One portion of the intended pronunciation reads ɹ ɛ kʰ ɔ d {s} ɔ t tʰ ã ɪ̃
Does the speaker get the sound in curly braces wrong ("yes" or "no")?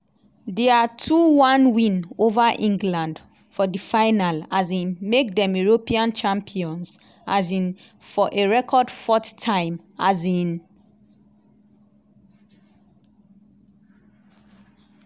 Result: yes